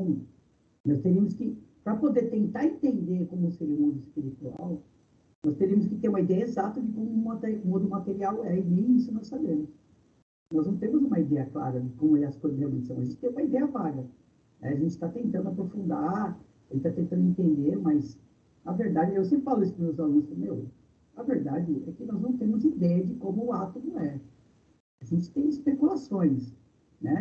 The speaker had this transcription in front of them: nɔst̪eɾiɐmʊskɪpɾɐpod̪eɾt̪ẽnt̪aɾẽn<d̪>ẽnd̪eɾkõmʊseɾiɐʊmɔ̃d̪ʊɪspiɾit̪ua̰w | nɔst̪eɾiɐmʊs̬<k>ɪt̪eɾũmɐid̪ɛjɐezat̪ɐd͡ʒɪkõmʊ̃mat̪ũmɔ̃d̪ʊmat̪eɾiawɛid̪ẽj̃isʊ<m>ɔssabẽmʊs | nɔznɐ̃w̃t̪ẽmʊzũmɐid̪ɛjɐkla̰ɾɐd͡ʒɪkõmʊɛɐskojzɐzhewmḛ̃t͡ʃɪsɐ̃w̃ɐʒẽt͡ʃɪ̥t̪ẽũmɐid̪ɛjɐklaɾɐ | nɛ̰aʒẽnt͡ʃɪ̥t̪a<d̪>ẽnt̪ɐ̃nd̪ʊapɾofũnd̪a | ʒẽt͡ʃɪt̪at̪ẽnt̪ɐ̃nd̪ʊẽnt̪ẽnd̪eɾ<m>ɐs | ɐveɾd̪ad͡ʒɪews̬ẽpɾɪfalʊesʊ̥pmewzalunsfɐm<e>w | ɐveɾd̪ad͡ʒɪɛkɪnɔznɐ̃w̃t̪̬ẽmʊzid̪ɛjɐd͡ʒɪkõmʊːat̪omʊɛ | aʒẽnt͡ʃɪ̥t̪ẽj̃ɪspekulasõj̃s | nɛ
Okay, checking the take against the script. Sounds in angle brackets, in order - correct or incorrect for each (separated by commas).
incorrect, correct, incorrect, incorrect, correct, correct